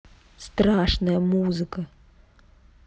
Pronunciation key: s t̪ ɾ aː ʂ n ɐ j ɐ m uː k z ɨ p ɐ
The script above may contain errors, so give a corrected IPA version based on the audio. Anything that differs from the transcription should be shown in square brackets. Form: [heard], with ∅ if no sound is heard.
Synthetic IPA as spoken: s t̪ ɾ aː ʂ n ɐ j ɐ m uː [∅] z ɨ [k] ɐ

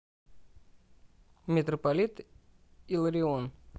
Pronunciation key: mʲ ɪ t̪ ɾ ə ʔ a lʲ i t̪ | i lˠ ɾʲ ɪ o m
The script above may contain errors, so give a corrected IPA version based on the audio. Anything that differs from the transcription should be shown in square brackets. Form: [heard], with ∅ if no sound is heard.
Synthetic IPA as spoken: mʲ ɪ t̪ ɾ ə [p] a lʲ i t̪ | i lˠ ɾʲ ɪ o [n]

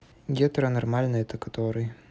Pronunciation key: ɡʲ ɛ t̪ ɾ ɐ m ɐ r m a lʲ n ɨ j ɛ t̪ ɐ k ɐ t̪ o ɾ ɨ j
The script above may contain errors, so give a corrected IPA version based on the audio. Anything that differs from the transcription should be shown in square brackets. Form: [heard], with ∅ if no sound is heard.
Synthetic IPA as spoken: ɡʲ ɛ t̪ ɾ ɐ [n] ɐ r m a lʲ n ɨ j ɛ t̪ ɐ k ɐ t̪ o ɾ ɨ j

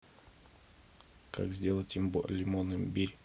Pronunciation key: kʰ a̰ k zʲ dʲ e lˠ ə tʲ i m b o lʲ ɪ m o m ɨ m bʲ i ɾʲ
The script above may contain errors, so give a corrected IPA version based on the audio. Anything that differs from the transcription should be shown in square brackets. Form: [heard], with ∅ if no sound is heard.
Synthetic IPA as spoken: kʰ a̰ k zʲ dʲ e lˠ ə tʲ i m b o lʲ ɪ m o [n] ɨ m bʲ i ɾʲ

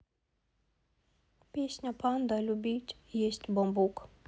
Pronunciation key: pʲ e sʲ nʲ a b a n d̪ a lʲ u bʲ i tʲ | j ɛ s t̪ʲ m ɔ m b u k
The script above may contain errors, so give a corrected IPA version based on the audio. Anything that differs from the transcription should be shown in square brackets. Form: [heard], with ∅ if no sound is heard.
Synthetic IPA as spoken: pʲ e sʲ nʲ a [p] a n d̪ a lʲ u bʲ i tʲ | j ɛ s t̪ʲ [b] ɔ m b u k

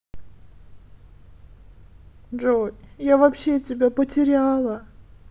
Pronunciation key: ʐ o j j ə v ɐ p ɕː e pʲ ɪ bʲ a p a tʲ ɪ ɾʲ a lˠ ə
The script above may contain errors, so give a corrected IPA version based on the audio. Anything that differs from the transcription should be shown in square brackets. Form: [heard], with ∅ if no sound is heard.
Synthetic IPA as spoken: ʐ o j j [a] v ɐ p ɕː e [tʲ] ɪ bʲ a p [ə] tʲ ɪ ɾʲ a lˠ ə

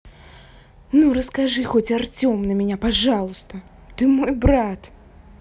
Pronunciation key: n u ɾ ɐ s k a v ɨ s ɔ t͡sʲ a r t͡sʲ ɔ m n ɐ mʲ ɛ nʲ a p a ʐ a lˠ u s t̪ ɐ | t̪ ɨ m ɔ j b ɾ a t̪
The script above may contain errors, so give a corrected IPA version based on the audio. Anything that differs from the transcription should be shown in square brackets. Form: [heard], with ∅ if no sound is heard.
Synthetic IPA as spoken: n u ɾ ɐ s k a [ʐ] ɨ [x] ɔ t͡sʲ a r t͡sʲ ɔ m n ɐ mʲ ɛ nʲ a p a ʐ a lˠ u s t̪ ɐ | t̪ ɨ m ɔ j b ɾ a t̪

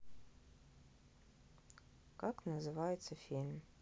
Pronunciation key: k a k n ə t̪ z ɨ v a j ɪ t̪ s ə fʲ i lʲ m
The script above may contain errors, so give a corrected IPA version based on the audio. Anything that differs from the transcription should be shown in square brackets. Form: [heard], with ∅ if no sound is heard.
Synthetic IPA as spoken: k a k n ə [∅] z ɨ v a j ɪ t̪ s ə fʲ i lʲ m

